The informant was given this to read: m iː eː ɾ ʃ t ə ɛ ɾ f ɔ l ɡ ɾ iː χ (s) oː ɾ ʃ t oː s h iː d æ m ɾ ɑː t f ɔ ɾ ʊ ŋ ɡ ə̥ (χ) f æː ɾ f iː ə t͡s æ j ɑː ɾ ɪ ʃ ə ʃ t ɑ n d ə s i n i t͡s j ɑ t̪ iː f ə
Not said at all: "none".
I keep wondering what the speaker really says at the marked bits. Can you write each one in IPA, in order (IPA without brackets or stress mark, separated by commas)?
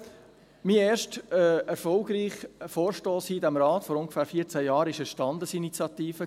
f, none